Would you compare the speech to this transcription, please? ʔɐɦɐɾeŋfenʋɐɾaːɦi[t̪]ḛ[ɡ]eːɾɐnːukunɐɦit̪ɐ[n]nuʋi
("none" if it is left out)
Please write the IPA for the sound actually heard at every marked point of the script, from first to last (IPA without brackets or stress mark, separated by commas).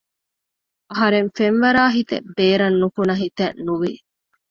t̪, b, n